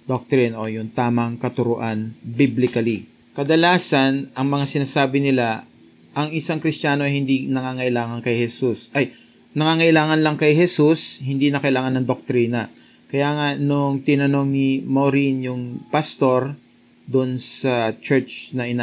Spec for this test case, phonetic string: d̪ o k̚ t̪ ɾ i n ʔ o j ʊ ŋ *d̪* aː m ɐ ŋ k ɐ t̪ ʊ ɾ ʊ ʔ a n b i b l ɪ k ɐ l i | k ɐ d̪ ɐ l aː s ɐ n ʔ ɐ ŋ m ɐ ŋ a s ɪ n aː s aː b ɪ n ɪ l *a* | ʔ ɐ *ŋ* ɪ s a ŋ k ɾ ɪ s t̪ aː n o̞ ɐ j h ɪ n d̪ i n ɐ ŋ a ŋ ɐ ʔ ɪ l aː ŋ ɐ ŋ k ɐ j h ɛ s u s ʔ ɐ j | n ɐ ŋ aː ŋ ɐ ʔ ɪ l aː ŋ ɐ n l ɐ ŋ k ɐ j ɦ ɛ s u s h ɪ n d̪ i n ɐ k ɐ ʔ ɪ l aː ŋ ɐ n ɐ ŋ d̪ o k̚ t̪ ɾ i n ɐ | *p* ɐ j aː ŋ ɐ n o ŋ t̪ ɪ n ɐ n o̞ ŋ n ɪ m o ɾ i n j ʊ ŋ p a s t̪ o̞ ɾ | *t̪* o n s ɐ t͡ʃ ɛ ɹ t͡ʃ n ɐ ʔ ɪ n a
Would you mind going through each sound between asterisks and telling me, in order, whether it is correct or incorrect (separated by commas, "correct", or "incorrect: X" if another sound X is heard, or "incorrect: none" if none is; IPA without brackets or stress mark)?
incorrect: t̪, correct, correct, incorrect: k, incorrect: d̪